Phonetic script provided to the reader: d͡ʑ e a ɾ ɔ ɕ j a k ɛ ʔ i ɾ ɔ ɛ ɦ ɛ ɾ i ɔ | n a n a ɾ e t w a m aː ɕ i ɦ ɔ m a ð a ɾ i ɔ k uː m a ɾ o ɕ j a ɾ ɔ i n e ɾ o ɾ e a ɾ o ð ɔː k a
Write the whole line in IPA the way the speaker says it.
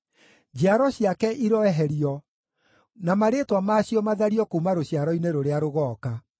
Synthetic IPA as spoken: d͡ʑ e a ɾ ɔ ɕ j a k ɛ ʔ i ɾ ɔ ɛ ɦ ɛ ɾ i ɔ | n a m a ɾ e t w a m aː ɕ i ɔ m a ð a ɾ i ɔ k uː m a ɾ o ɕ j a ɾ ɔ i n e ɾ o ɾ e a ɾ o ɣ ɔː k a